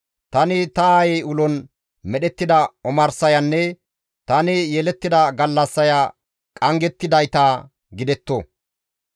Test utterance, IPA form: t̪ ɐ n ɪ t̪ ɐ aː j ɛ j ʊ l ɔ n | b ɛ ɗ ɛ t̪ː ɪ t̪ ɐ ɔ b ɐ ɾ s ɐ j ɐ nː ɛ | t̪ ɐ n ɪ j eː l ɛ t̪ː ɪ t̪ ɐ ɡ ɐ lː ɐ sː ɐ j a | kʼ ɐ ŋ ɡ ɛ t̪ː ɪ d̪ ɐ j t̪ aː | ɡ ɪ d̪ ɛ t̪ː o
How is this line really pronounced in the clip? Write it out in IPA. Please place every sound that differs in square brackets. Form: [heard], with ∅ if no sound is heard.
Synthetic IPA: t̪ ɐ n ɪ t̪ ɐ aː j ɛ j ʊ l ɔ n | [m] ɛ ɗ ɛ t̪ː ɪ [d̪] ɐ ɔ [m] ɐ ɾ s ɐ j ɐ nː ɛ | t̪ ɐ n ɪ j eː l ɛ t̪ː ɪ [d̪] ɐ ɡ ɐ lː ɐ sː ɐ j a | kʼ ɐ ŋ ɡ ɛ t̪ː ɪ d̪ ɐ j t̪ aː | ɡ ɪ d̪ ɛ t̪ː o

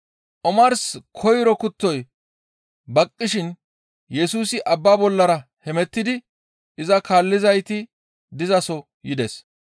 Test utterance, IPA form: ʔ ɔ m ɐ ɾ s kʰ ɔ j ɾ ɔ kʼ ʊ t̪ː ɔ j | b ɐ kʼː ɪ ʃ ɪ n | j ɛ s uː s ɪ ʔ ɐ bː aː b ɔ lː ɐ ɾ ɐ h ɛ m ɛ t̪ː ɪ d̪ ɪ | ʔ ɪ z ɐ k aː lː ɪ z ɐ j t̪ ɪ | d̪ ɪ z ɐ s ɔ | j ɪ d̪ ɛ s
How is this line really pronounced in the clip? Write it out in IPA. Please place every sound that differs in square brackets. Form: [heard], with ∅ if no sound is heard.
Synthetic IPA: ʔ ɔ m ɐ ɾ s kʰ ɔ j ɾ ɔ [k] ʊ t̪ː ɔ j | b ɐ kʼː ɪ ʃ ɪ n | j ɛ s uː s ɪ ʔ ɐ bː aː b ɔ lː ɐ ɾ ɐ h ɛ m ɛ t̪ː ɪ d̪ ɪ | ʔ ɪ z ɐ k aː lː ɪ z ɐ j t̪ ɪ | d̪ ɪ z ɐ s ɔ | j ɪ d̪ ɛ s

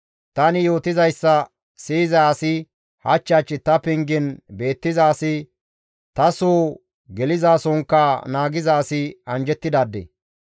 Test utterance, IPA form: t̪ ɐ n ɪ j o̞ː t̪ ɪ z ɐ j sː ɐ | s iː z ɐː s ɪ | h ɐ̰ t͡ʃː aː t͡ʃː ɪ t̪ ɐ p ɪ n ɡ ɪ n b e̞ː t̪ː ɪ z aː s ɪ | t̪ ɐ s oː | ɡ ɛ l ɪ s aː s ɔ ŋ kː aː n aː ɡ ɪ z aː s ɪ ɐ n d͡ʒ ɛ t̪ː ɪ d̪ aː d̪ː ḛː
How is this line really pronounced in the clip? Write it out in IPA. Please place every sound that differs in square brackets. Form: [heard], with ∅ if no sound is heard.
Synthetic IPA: t̪ ɐ n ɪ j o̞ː t̪ ɪ z ɐ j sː ɐ | s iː z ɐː s ɪ | h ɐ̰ t͡ʃː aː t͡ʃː ɪ t̪ ɐ p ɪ [ŋ] ɡ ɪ n b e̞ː t̪ː ɪ z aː s ɪ | t̪ ɐ s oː | ɡ ɛ l ɪ [z] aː s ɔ ŋ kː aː n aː ɡ ɪ z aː s ɪ ɐ n d͡ʒ ɛ t̪ː ɪ d̪ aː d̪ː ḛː

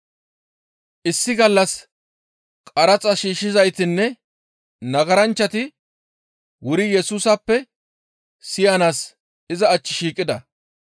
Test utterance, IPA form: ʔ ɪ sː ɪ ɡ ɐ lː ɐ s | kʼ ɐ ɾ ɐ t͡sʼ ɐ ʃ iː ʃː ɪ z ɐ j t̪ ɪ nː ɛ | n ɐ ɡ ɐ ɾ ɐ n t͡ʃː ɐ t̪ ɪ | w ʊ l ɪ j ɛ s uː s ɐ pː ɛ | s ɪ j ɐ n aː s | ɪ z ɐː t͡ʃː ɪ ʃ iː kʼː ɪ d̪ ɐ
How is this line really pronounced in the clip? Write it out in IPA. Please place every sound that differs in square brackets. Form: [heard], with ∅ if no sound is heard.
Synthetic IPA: ʔ ɪ sː ɪ ɡ ɐ lː ɐ s | kʼ ɐ ɾ ɐ t͡sʼ ɐ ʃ iː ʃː ɪ z ɐ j t̪ ɪ nː ɛ | n ɐ ɡ ɐ ɾ ɐ n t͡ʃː ɐ t̪ ɪ | w ʊ [ɾ] ɪ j ɛ s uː s ɐ pː ɛ | s ɪ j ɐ n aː s | ɪ z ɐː t͡ʃː ɪ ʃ iː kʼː ɪ d̪ ɐ

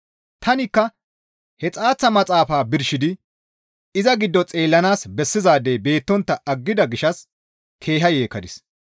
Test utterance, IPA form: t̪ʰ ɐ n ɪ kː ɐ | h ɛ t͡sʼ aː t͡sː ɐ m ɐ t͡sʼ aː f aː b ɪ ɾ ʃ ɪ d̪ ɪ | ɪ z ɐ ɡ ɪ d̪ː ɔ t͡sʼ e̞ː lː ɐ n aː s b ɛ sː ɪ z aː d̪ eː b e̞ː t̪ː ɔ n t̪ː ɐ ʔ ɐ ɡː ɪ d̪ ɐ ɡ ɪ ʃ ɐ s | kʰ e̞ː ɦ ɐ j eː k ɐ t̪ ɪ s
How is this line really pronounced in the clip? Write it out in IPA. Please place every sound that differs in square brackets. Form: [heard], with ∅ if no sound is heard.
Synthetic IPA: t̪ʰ ɐ n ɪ kː ɐ | h ɛ t͡sʼ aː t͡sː ɐ m ɐ t͡sʼ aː f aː b ɪ ɾ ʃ ɪ d̪ ɪ | ɪ z ɐ ɡ ɪ d̪ː ɔ t͡sʼ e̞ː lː ɐ n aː s b ɛ sː ɪ z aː d̪ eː b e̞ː t̪ː ɔ n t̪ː ɐ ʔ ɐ ɡː ɪ d̪ ɐ ɡ ɪ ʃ ɐ s | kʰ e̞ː ɦ ɐ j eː k ɐ [d̪] ɪ s

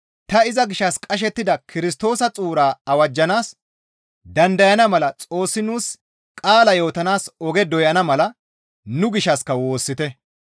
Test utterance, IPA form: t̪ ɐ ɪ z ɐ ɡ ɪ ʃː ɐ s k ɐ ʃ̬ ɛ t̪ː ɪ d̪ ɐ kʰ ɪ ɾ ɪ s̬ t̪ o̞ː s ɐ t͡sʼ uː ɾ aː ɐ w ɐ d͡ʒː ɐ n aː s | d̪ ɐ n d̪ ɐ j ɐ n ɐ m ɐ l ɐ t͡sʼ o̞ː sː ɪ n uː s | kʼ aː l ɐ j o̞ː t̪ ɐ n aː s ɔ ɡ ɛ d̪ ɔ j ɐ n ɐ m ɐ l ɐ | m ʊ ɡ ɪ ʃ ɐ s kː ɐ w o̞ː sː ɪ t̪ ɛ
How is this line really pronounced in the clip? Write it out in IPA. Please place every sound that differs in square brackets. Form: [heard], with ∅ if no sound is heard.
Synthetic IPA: t̪ ɐ ɪ z ɐ ɡ ɪ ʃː ɐ s [kʼ] ɐ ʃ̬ ɛ t̪ː ɪ d̪ ɐ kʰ ɪ ɾ ɪ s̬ t̪ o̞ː s ɐ t͡sʼ uː ɾ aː ɐ w ɐ d͡ʒː ɐ n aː s | d̪ ɐ n d̪ ɐ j ɐ n ɐ m ɐ l ɐ t͡sʼ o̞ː sː ɪ n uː s | kʼ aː l ɐ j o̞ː t̪ ɐ n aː s ɔ ɡ ɛ d̪ ɔ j ɐ n ɐ m ɐ l ɐ | [n] ʊ ɡ ɪ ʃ ɐ s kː ɐ w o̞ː sː ɪ t̪ ɛ

